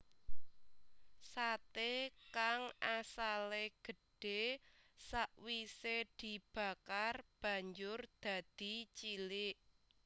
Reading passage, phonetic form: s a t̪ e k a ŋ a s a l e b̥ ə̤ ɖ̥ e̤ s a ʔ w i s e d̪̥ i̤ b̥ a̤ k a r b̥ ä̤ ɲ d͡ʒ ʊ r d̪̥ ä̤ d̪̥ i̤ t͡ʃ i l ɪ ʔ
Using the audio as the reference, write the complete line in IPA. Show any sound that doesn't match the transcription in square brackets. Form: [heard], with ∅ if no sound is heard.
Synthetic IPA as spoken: s a t̪ e k a ŋ a s a l e [ɡ̥] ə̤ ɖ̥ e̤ s a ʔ w i s e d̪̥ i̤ b̥ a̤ k a r b̥ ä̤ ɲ d͡ʒ ʊ r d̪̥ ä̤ d̪̥ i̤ t͡ʃ i l ɪ ʔ